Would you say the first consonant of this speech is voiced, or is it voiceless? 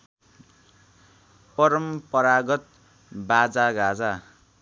voiceless